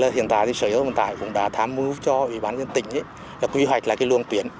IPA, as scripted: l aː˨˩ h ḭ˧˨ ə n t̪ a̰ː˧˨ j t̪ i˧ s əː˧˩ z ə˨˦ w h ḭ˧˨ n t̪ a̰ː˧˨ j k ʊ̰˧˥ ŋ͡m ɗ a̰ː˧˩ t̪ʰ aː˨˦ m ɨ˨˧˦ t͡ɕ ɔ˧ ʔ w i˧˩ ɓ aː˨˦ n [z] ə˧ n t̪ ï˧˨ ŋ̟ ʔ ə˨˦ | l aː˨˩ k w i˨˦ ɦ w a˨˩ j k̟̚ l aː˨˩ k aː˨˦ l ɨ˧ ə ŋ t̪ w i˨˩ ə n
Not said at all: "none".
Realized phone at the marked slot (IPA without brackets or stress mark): z